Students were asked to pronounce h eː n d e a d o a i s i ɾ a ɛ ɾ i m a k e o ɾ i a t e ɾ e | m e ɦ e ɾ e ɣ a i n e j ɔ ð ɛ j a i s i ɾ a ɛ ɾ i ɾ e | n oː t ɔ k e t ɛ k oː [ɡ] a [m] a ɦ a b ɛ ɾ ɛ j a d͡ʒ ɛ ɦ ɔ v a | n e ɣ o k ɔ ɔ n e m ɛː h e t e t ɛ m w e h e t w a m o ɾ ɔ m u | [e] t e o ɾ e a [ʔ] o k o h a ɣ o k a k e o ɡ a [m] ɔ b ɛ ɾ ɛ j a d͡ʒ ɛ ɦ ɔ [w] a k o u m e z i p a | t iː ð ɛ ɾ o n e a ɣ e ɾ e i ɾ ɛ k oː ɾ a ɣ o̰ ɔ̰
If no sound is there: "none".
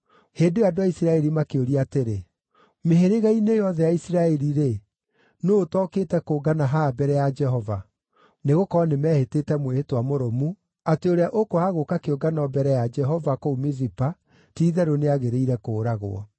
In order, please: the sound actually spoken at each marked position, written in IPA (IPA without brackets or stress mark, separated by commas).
ɡ, n, a, ʔ, n, v